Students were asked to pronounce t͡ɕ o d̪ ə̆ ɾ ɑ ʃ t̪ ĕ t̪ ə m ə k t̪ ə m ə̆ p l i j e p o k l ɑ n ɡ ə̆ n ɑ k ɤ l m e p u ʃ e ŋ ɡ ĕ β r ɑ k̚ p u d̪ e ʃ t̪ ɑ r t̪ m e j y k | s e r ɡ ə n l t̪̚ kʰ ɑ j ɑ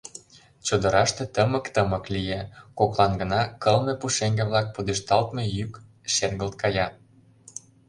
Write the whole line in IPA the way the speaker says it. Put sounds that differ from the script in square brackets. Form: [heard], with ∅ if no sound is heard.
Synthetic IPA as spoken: t͡ɕ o d̪ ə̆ ɾ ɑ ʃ t̪ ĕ t̪ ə m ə k t̪ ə m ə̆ [k] l i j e [k] o k l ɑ n ɡ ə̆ n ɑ k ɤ l m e p u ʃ e ŋ ɡ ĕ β [l] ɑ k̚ p u d̪ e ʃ t̪ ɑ [l] t̪ m e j y k | [ʃ] e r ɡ ə [∅] l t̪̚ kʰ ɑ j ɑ

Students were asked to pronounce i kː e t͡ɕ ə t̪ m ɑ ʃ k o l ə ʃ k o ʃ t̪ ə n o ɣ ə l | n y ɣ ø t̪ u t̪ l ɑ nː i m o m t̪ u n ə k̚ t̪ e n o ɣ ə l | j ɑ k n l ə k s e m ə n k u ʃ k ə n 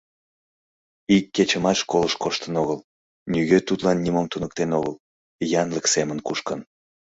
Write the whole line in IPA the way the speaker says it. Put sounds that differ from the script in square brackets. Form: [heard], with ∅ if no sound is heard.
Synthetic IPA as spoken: i kː e t͡ɕ ə [∅] m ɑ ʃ k o l ə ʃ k o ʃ t̪ ə n o ɣ ə l | n y ɣ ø t̪ u t̪ l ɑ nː i m o m t̪ u n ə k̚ t̪ e n o ɣ ə l | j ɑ [∅] n l ə k s e m ə n k u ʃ k ə n

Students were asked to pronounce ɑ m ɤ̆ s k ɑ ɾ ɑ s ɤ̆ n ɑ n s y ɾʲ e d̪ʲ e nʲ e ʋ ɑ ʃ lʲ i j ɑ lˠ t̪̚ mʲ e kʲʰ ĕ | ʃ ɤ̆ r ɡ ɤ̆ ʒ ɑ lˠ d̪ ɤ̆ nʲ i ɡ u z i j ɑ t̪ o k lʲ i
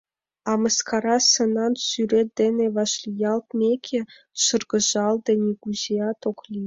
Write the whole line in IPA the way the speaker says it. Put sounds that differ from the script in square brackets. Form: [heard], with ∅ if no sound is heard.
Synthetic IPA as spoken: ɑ m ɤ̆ s k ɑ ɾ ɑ s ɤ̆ n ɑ n s y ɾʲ e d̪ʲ e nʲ e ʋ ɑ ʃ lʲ i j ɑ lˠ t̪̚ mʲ e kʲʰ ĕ | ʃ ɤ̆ r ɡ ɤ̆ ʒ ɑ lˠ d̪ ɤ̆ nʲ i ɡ u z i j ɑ t̪ o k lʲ i

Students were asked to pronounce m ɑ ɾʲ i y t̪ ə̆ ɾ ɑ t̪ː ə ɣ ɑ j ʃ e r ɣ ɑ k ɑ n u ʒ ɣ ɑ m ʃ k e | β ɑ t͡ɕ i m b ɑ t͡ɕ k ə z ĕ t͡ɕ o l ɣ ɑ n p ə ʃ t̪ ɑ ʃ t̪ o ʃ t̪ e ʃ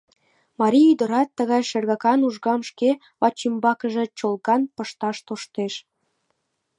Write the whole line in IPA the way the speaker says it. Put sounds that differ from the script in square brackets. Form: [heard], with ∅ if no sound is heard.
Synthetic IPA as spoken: m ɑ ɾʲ i y [d̪] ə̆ ɾ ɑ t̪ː ə ɣ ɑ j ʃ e r ɣ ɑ k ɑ n u ʒ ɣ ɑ m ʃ k e | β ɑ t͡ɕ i m b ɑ [∅] k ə [ʒ] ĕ t͡ɕ o l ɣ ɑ n p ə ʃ t̪ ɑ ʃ t̪ o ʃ t̪ e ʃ

